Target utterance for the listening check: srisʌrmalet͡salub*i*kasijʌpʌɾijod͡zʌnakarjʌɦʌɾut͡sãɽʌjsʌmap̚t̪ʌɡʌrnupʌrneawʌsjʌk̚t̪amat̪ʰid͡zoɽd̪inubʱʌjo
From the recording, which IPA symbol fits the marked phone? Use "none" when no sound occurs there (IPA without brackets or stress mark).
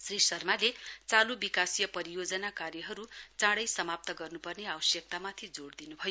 i